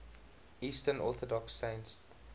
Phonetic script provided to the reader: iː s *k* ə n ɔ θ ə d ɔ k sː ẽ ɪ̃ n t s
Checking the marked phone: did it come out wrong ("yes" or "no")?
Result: yes